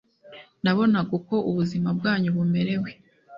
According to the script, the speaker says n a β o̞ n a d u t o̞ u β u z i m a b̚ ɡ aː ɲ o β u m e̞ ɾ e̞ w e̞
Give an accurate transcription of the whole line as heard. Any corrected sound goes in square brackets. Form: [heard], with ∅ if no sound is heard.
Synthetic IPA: n a β o̞ n a [ɡ] u [k] o̞ u β u z i m a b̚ ɡ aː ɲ [u] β u m e̞ ɾ e̞ w e̞